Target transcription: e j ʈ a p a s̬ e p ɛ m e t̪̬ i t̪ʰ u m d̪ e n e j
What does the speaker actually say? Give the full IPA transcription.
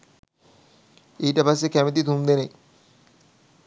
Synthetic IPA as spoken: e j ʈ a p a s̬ e k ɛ m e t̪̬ i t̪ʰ u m d̪ e n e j